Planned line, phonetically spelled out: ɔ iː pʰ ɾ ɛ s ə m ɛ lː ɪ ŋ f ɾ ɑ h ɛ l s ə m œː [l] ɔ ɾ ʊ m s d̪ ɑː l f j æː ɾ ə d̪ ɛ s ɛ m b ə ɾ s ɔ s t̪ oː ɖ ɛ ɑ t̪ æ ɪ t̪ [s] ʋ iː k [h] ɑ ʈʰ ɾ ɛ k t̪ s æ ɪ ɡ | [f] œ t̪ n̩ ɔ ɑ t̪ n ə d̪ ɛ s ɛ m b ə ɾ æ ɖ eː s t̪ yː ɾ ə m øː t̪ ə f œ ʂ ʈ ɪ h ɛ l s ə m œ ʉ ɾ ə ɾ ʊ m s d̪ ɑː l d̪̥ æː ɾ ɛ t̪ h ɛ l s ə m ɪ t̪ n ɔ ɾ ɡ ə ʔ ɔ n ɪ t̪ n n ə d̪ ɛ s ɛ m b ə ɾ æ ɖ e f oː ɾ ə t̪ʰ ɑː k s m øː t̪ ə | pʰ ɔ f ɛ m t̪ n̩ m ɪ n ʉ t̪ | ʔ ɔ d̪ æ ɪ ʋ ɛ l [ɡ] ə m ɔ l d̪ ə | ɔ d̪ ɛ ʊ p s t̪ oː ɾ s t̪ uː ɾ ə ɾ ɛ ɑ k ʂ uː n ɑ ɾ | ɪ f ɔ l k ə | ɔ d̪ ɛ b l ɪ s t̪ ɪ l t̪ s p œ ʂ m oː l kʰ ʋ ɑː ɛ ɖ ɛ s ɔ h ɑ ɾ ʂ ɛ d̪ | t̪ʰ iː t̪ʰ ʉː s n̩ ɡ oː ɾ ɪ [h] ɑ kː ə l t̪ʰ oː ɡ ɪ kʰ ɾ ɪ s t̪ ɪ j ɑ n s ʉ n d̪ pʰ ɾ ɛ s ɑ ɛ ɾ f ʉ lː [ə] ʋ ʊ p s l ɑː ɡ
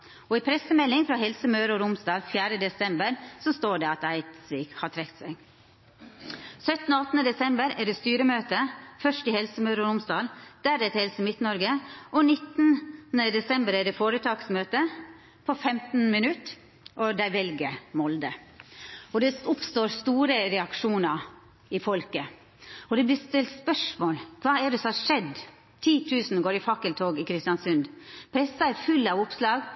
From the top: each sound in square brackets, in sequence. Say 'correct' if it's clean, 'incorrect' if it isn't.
incorrect, correct, correct, incorrect, correct, incorrect, incorrect

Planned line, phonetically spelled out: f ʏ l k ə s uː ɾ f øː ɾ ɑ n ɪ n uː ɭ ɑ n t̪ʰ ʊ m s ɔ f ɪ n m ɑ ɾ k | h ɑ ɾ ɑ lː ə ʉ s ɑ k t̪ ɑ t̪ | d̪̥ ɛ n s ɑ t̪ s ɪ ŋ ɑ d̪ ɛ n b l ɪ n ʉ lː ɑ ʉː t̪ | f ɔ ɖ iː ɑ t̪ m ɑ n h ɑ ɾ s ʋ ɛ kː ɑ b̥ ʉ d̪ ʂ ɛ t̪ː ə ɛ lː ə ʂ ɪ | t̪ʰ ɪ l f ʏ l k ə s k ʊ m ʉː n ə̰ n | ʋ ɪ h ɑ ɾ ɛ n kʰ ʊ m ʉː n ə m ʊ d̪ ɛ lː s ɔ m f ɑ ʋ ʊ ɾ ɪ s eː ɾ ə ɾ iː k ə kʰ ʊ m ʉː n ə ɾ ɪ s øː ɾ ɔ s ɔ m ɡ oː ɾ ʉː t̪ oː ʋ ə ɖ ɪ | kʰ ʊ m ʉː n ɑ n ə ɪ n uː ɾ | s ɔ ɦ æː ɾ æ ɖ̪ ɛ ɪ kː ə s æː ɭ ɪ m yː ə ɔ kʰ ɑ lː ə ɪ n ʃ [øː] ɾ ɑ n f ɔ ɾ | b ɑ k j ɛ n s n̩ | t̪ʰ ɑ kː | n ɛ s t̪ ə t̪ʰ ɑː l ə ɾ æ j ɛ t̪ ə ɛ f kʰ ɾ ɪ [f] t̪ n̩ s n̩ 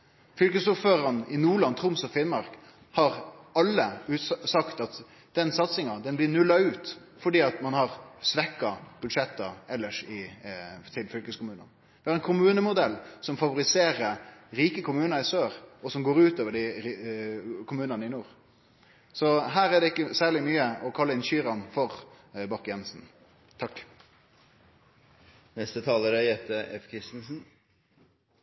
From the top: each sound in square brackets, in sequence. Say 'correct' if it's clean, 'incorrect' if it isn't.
incorrect, incorrect

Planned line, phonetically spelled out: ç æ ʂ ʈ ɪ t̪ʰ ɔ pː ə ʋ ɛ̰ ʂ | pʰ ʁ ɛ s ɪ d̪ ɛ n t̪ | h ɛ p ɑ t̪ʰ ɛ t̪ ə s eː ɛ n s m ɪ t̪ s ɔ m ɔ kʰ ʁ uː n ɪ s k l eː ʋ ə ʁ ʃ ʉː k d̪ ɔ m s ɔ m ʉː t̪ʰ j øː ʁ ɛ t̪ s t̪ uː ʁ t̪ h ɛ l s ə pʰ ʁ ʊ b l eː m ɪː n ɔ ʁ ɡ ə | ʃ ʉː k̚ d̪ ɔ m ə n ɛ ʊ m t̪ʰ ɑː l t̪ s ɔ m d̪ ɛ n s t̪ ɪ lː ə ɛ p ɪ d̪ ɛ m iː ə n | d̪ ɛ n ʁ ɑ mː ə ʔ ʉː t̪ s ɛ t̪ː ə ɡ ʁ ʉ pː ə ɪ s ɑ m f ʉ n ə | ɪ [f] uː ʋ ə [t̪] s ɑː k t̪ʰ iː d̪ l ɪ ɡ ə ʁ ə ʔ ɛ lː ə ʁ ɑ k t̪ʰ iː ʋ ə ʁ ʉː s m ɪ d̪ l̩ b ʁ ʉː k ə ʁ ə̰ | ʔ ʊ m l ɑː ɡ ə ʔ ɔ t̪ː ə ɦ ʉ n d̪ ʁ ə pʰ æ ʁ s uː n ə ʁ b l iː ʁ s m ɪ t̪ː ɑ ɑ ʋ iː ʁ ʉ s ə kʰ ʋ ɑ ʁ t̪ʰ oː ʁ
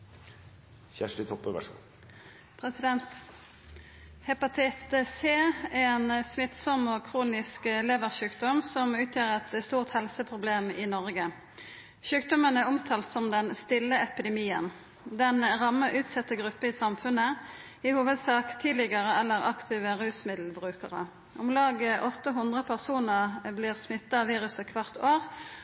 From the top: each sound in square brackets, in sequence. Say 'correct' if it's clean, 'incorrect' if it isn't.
incorrect, incorrect

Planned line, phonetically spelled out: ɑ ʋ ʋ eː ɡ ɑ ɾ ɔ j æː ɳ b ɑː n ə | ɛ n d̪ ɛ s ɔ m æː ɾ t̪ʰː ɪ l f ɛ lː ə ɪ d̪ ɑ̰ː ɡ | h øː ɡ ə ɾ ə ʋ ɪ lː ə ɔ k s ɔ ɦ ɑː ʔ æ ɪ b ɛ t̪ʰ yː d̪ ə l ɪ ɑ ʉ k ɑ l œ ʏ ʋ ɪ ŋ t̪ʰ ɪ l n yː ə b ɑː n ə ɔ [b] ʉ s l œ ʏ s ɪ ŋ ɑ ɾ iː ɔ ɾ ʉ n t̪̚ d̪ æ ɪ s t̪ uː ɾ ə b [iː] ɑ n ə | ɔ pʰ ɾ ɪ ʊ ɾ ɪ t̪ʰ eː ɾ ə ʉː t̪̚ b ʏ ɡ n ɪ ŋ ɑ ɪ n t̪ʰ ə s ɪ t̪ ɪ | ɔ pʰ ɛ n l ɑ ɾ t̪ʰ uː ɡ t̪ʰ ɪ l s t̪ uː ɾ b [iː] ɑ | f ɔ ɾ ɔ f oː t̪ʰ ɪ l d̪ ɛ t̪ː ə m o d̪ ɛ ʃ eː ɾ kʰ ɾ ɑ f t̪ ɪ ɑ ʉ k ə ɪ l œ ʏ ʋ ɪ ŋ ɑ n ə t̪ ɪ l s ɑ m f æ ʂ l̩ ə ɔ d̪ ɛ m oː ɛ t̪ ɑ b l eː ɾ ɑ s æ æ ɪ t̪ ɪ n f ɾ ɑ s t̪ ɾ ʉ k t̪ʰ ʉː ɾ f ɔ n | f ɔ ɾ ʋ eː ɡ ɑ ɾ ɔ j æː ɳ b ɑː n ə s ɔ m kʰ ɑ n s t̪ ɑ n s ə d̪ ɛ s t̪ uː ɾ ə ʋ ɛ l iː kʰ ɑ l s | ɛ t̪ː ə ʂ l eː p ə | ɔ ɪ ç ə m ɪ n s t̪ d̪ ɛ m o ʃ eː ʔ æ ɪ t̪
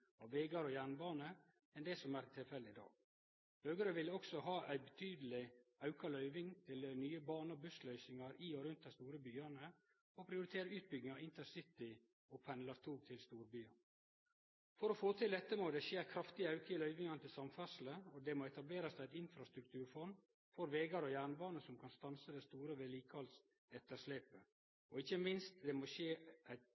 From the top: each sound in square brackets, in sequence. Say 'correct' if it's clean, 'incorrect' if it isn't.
correct, incorrect, incorrect

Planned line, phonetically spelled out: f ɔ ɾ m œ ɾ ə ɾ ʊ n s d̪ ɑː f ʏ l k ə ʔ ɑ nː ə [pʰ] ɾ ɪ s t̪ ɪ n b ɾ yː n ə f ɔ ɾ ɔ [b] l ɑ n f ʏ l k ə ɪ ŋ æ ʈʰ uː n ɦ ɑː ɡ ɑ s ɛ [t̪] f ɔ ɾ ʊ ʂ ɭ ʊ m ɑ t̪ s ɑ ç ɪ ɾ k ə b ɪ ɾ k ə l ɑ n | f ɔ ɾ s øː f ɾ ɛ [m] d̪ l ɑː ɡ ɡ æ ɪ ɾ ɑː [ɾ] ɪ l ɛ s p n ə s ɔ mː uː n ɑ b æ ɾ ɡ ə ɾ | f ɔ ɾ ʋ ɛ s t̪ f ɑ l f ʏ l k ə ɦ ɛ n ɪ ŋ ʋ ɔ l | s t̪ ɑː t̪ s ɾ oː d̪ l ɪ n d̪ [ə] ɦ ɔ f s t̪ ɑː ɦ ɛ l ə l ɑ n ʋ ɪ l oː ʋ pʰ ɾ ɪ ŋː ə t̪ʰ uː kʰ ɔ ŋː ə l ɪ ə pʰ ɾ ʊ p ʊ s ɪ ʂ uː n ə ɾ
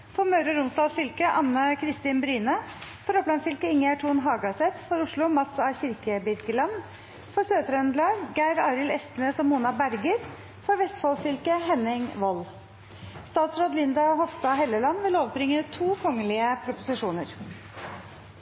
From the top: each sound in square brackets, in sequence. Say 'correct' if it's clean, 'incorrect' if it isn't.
incorrect, incorrect, correct, incorrect, correct, incorrect

